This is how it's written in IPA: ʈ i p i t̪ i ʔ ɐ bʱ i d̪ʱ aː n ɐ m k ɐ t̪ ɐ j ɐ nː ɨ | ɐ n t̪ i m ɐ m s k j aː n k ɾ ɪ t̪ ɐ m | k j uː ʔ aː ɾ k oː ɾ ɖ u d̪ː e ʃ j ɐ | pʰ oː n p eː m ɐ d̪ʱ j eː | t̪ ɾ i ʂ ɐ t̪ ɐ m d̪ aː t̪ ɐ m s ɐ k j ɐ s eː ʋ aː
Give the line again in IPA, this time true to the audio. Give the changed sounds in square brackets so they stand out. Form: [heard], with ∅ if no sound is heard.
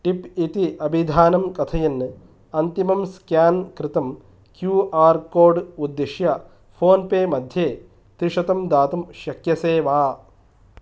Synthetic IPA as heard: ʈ i p i t̪ i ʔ ɐ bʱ i d̪ʱ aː n ɐ m k ɐ [t̪ʰ] ɐ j ɐ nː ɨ | ɐ n t̪ i m ɐ m s k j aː n k ɾ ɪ t̪ ɐ m | k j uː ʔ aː ɾ k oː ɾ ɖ u d̪ː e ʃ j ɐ | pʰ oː n p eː m ɐ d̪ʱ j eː | t̪ ɾ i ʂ ɐ t̪ ɐ m d̪ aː t̪ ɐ m [ʃ] ɐ k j ɐ s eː ʋ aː